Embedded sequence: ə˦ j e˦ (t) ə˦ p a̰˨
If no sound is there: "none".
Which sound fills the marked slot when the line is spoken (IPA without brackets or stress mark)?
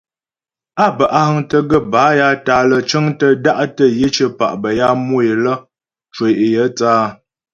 t͡ʃ